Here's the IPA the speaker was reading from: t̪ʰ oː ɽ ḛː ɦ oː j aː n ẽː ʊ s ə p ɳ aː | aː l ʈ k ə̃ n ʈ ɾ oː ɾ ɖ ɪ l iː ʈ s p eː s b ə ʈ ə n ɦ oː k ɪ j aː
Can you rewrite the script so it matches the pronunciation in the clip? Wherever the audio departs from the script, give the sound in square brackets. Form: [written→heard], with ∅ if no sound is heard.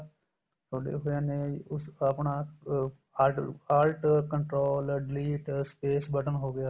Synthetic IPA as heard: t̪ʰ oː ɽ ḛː ɦ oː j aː n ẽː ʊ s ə p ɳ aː | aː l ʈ k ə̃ [n→ɳ] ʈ ɾ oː [ɾ→l] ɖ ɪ l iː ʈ s p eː s b ə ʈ ə n ɦ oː [k→ɡ] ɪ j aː